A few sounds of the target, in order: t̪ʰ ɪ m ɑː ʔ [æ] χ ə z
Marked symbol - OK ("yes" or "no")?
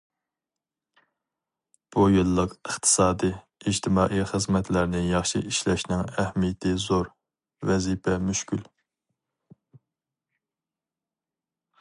no